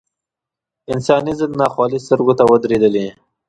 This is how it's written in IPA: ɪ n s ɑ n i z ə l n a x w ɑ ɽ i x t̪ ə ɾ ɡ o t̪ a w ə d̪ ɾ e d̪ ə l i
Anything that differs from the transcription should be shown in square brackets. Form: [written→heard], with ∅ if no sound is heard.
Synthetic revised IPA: ɪ n s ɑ n i z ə l n [a→ɑ] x w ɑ [ɽ→l] i [x→s] t̪ ə ɾ ɡ o t̪ a w ə d̪ ɾ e d̪ ə l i